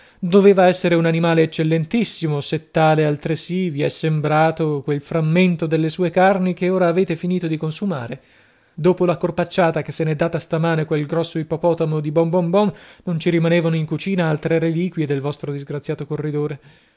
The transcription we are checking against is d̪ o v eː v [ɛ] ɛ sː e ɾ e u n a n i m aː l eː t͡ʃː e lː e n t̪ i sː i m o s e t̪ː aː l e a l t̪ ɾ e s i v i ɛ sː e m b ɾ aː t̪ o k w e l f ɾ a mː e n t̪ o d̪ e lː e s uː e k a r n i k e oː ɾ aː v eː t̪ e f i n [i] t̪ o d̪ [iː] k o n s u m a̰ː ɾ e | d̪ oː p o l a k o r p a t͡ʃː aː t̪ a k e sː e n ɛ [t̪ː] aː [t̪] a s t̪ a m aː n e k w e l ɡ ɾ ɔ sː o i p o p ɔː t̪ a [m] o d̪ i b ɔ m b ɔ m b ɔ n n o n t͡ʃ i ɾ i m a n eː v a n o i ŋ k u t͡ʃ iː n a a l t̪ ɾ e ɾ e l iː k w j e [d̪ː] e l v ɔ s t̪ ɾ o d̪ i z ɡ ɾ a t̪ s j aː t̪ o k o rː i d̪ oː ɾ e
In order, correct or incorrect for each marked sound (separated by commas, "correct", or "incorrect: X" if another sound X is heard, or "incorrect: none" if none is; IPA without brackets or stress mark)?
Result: incorrect: a, incorrect: iː, incorrect: i, incorrect: d̪ː, correct, correct, incorrect: d̪